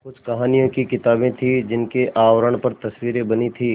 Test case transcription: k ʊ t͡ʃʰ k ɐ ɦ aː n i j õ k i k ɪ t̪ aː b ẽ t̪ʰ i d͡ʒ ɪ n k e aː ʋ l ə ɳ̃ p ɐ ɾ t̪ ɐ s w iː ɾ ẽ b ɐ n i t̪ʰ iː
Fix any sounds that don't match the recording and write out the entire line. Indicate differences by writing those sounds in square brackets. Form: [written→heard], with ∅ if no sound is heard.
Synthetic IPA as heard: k ʊ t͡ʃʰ k ɐ ɦ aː n i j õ k i k ɪ t̪ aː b ẽ t̪ʰ i d͡ʒ ɪ n k e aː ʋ [l→ɾ] ə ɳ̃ p ɐ ɾ t̪ ɐ s w iː ɾ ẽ b ɐ n i t̪ʰ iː

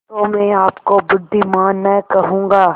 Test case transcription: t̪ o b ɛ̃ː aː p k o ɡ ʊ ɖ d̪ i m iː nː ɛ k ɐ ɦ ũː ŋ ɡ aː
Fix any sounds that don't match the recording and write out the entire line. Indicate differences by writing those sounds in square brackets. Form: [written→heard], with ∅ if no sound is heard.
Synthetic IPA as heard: t̪ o [b→m] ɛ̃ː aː p k o [ɡ→b] ʊ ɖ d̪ i m [iː→aː] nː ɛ k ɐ ɦ ũː ŋ ɡ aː

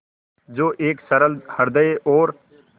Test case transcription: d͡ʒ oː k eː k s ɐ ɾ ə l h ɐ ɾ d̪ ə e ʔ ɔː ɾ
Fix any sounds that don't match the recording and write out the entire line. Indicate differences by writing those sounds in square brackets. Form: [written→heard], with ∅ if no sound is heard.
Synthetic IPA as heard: d͡ʒ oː [k→ʔ] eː k s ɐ ɾ ə l h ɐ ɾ d̪ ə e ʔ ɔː ɾ

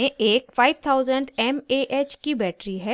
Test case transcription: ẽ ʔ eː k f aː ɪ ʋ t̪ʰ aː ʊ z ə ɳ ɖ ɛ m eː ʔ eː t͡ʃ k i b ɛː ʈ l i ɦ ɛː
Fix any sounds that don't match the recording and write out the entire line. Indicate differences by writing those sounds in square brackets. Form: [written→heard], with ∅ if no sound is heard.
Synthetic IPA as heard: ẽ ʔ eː k f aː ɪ ʋ t̪ʰ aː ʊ z ə ɳ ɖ ɛ m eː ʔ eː t͡ʃ k i b ɛː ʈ [l→ɾ] i ɦ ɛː

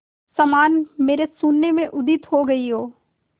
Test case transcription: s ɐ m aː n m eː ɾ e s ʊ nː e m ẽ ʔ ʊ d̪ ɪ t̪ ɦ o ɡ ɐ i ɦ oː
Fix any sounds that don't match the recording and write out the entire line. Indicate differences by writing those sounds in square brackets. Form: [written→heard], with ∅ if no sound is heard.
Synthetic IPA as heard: s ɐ m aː n m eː ɾ e s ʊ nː e m ẽ ʔ ʊ d̪ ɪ t̪ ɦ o ɡ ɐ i ɦ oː

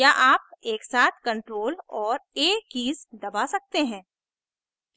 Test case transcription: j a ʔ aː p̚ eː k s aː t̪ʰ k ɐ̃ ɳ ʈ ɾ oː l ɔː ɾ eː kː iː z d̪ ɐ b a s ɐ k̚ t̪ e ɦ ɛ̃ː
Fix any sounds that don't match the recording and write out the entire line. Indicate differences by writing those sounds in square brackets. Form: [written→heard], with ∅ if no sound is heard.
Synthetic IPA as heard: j a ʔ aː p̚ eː k s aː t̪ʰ k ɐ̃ ɳ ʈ ɾ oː l ɔː ɾ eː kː iː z d̪ ɐ b a s ɐ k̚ t̪ e ɦ ɛ̃ː

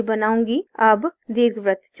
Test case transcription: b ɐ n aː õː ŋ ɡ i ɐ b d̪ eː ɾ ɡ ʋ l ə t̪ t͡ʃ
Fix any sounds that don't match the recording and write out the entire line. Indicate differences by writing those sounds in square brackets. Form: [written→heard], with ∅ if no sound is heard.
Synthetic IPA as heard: b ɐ n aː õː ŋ ɡ i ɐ b d̪ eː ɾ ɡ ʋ [l→ɾ] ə t̪ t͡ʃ

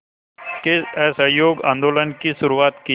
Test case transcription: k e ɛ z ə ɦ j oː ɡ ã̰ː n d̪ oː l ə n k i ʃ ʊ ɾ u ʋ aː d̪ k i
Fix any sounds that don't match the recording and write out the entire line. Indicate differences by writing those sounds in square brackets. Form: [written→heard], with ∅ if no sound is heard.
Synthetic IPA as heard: k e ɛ [z→s] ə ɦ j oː ɡ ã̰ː n d̪ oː l ə n k i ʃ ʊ ɾ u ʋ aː [d̪→t̪] k i

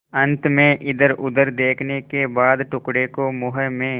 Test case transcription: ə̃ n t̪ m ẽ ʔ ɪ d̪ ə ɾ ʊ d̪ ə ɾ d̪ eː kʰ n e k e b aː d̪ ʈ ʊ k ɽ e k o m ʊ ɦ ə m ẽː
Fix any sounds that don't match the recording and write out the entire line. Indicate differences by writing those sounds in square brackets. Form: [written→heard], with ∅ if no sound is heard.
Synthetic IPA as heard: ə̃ n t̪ m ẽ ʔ ɪ d̪ ə ɾ ʊ d̪ ə ɾ d̪ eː kʰ n e k e b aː d̪ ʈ ʊ k ɽ e k o m ʊ ɦ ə m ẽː

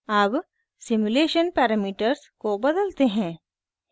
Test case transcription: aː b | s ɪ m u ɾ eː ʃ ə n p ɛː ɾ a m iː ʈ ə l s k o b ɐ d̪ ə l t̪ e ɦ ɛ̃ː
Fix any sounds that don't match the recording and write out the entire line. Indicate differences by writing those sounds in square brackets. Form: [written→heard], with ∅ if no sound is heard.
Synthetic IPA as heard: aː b | s ɪ m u [ɾ→l] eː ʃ ə n p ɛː ɾ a m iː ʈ ə [l→ɾ] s k o b ɐ d̪ ə l t̪ e ɦ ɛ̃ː

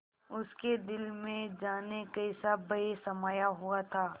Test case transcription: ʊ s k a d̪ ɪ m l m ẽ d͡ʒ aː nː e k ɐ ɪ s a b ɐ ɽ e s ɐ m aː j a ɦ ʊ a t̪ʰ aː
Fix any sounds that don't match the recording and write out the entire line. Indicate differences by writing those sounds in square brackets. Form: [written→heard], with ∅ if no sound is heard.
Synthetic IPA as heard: ʊ s k [a→e] d̪ ɪ [m→∅] l m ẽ d͡ʒ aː [nː→n] e k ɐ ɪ s a b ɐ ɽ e s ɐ m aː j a ɦ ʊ a t̪ʰ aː

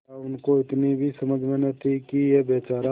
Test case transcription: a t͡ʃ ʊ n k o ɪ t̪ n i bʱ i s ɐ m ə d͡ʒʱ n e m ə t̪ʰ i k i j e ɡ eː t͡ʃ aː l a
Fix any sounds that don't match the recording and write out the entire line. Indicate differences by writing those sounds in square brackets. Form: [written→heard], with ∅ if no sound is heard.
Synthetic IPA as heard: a [t͡ʃ→∅] ʊ n k o ɪ t̪ n i bʱ i s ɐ m ə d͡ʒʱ [n→m] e [m→n] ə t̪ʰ i k i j e [ɡ→b] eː t͡ʃ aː [l→ɾ] a

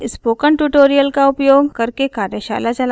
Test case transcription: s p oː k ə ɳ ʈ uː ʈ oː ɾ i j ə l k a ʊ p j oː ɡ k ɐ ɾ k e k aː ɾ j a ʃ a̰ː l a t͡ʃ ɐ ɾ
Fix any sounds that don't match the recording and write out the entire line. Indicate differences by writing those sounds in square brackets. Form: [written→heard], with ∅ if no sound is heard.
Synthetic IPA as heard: s p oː k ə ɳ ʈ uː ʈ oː ɾ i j ə l k a ʊ p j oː ɡ k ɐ ɾ k e k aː ɾ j [a→ə] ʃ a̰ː l a t͡ʃ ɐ [ɾ→l]

